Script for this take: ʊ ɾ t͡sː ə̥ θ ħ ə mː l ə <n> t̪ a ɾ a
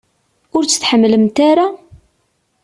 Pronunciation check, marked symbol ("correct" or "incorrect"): incorrect